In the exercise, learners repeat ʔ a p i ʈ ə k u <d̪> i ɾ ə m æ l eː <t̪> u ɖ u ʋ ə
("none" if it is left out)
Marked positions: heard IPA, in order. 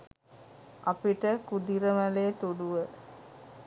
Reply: d̪, t̪

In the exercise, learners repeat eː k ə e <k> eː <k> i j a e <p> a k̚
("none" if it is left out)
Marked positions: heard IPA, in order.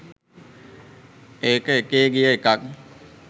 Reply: k, ɡ, k

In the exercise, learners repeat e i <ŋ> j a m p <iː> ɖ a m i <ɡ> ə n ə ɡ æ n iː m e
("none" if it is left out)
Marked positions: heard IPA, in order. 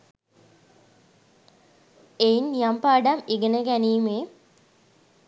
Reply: n, aː, ɡ

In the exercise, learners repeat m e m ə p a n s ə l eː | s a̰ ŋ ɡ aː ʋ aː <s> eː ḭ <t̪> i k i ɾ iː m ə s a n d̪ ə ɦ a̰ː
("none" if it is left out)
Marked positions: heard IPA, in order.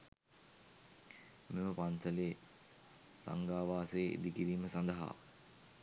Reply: s, d̪

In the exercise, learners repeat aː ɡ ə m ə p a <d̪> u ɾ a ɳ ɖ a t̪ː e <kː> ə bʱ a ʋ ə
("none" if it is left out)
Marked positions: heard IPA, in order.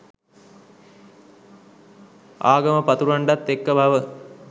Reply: t̪, kː

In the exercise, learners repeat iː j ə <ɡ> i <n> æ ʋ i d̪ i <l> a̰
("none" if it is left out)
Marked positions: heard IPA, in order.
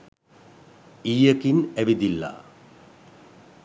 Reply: k, n, lː

